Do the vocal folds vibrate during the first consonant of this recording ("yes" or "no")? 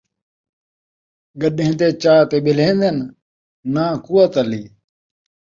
yes